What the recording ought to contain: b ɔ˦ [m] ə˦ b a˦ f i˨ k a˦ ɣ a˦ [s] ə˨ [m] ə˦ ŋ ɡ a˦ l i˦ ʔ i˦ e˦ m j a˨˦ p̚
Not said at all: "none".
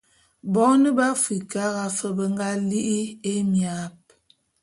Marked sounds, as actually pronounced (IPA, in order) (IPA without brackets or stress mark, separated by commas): n, f, b